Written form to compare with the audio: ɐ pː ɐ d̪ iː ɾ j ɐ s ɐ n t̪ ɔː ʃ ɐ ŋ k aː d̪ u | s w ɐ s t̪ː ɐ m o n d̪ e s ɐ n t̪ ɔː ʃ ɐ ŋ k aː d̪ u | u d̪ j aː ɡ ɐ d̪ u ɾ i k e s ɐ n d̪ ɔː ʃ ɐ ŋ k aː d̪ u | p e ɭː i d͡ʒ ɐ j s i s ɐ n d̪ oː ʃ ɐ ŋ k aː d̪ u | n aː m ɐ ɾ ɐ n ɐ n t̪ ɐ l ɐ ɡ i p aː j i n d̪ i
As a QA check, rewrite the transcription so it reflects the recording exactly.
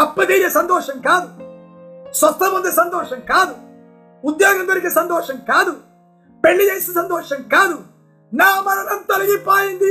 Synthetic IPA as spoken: ɐ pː ɐ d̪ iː ɾ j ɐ s ɐ n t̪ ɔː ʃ ɐ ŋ k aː d̪ u | s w ɐ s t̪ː ɐ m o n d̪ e s ɐ n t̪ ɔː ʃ ɐ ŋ k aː d̪ u | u d̪ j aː ɡ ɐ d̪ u ɾ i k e s ɐ n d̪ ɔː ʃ ɐ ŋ k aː d̪ u | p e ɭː i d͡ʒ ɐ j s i s ɐ n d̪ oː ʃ ɐ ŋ k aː d̪ u | n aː m ɐ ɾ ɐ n ɐ n t̪ ɐ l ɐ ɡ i p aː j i n d̪ i